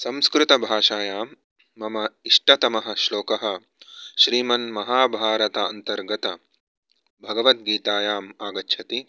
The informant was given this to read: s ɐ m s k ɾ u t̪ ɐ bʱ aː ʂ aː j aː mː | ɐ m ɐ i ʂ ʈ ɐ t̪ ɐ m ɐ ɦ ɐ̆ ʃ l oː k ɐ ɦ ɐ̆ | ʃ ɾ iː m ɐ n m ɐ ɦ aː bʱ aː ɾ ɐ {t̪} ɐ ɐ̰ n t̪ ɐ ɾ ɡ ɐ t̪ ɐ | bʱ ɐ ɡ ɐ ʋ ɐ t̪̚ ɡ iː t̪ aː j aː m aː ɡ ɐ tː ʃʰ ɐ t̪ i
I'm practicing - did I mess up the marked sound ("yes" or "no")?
no